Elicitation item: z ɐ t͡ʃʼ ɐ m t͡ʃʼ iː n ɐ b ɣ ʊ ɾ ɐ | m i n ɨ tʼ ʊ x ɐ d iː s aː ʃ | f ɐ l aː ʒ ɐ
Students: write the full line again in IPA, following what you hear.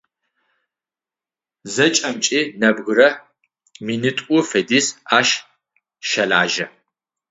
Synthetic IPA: z ɐ t͡ʃʼ ɐ m t͡ʃʼ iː n ɐ b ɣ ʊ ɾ ɐ | m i n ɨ tʼ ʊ f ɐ d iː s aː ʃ | ʃ ɐ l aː ʒ ɐ